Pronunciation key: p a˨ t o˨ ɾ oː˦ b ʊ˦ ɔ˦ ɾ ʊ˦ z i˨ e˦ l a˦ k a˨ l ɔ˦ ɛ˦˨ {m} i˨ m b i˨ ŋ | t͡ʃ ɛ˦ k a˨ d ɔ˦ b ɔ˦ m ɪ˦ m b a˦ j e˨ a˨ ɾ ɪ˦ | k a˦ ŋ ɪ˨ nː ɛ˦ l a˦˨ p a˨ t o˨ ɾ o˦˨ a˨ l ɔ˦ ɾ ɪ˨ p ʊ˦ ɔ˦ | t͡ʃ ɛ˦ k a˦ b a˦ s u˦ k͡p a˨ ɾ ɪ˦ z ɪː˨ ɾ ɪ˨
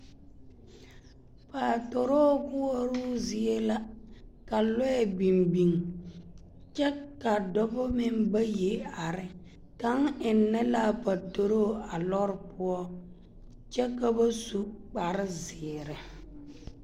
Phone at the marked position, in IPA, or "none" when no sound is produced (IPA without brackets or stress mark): b